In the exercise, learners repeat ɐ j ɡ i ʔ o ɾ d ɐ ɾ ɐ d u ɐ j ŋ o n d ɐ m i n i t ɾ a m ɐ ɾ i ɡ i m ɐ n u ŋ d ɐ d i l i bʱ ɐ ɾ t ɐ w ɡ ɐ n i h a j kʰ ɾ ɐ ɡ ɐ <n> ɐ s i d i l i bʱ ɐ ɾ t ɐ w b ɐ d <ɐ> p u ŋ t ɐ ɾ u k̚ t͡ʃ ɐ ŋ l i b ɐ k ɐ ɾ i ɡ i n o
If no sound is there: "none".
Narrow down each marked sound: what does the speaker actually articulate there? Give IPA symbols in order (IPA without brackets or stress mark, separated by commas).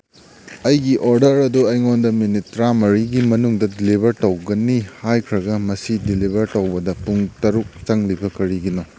m, ɐ